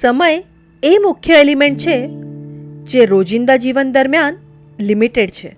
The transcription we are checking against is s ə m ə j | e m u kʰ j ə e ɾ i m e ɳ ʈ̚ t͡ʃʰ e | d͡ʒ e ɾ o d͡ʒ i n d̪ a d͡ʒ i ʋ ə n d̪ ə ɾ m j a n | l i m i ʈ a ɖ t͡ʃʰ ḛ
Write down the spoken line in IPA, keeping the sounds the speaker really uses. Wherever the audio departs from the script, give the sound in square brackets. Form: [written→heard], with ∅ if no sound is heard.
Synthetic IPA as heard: s ə m ə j | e m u kʰ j ə e [ɾ→l] i m e ɳ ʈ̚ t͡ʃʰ e | d͡ʒ e ɾ o d͡ʒ i n d̪ a d͡ʒ i ʋ ə n d̪ ə ɾ m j a n | l i m i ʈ [a→e] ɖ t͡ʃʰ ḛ